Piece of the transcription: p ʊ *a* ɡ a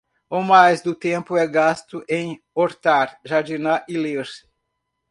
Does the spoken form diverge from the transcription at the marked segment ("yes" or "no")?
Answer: yes